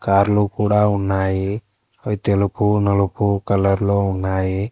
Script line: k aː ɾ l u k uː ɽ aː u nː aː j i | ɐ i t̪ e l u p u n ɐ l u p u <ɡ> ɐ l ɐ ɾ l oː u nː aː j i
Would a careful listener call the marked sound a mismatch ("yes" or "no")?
yes